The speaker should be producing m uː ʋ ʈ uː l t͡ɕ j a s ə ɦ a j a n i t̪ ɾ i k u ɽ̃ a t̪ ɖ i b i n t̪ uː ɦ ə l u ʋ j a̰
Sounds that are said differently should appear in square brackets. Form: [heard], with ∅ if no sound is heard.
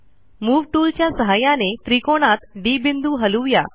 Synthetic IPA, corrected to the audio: m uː ʋ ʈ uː l t͡ɕ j a s ə ɦ a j a n [e] t̪ ɾ i k [o] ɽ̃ a t̪ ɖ i b i n [d̪] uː ɦ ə l u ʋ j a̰